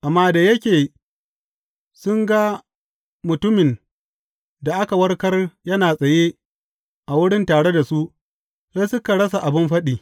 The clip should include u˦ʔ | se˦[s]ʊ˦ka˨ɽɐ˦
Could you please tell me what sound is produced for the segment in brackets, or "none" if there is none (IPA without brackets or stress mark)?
s